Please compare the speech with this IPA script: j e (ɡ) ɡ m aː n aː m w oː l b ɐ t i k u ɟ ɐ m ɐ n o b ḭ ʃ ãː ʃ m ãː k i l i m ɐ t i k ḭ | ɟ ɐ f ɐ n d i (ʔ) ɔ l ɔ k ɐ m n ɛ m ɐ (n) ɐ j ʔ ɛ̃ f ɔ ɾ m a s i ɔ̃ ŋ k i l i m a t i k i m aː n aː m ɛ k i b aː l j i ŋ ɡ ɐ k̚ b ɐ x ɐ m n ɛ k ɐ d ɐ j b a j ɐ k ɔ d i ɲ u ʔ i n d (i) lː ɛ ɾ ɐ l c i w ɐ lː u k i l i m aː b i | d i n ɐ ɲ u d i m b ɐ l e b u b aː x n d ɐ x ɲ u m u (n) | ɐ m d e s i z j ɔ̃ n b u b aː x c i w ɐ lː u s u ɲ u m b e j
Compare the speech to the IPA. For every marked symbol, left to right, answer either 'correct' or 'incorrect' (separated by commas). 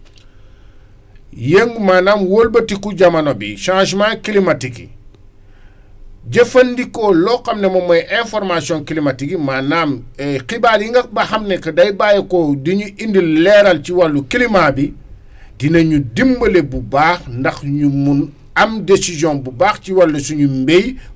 incorrect, incorrect, incorrect, correct, correct